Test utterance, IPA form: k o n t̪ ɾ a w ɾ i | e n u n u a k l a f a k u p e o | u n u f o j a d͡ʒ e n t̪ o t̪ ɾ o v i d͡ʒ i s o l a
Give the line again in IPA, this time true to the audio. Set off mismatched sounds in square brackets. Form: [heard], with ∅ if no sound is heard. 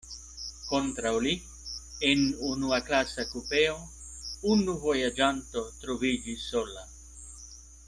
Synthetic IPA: k o n t̪ ɾ a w [l] i | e n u n u a k l a [s] a k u p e o | u n u [v] o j a d͡ʒ [a] n t̪ o t̪ ɾ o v i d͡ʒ i s o l a